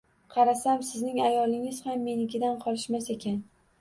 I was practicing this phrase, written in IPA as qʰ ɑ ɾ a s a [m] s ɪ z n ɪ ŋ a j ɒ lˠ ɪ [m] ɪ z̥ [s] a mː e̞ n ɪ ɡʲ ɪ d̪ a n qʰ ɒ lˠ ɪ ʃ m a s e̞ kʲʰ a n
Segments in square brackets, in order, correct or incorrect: correct, incorrect, incorrect

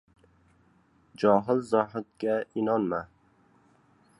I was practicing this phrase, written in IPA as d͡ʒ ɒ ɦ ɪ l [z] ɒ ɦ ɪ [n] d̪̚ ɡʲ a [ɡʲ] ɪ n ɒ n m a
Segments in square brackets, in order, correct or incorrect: correct, incorrect, incorrect

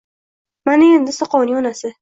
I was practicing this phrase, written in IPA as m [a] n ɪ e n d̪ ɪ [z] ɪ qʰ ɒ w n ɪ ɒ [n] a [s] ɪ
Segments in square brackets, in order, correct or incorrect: correct, incorrect, correct, correct

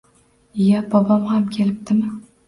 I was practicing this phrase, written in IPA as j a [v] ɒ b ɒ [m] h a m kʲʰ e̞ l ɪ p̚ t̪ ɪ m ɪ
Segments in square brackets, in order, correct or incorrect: incorrect, correct

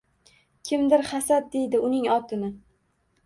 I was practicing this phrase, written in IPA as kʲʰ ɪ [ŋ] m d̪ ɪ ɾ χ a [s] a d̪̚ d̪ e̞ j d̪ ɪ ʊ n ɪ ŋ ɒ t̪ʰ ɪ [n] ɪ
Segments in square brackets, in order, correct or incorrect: incorrect, correct, correct

